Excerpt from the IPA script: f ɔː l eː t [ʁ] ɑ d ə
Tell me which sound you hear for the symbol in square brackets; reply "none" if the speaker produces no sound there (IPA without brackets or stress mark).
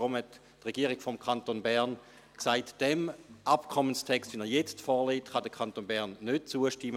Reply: χ